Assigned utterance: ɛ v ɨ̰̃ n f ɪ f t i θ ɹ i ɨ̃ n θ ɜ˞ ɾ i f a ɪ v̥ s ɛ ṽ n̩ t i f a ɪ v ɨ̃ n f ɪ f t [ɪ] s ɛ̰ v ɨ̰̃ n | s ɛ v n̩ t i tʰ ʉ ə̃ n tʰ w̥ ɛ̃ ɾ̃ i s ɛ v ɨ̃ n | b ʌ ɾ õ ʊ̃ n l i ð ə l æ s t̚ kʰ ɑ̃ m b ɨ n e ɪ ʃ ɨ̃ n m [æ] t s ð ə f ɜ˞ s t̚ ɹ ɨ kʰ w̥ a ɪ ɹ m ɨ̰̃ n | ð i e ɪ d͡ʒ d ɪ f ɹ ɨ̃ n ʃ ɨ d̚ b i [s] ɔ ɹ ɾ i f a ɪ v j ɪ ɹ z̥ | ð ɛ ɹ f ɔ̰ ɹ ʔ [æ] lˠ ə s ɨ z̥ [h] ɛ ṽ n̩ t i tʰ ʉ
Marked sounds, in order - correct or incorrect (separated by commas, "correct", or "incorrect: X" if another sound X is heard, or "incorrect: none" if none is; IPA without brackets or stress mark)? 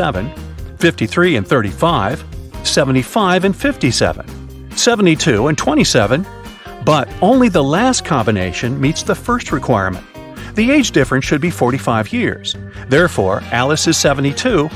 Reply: incorrect: i, incorrect: i, incorrect: f, correct, incorrect: s